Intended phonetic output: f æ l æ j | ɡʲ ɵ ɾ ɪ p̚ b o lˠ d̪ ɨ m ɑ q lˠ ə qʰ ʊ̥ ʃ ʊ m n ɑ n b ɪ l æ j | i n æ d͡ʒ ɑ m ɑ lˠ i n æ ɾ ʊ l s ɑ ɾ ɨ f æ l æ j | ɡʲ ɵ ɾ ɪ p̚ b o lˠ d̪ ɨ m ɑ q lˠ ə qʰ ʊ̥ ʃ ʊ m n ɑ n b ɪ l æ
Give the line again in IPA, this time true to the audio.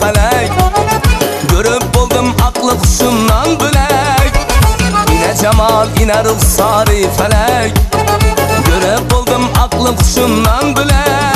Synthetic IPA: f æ l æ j | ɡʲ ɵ ɾ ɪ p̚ b o lˠ d̪ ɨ m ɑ q lˠ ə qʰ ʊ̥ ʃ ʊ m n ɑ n b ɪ l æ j | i n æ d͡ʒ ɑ m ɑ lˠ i n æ ɾ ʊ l s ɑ ɾ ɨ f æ l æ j | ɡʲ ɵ ɾ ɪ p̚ b o lˠ d̪ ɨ m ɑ q lˠ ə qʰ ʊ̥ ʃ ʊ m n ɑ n b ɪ l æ